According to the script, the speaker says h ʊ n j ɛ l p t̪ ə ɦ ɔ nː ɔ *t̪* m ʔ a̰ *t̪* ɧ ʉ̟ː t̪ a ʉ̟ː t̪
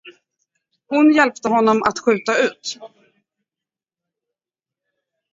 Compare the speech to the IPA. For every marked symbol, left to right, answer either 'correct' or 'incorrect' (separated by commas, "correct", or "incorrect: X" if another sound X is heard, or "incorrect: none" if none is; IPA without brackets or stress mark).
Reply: incorrect: none, correct